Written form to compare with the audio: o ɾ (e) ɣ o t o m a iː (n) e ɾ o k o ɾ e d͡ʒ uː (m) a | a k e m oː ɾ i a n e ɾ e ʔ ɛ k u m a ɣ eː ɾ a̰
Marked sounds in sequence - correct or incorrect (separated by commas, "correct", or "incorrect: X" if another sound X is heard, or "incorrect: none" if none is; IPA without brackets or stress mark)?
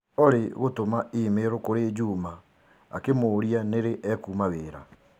correct, incorrect: m, correct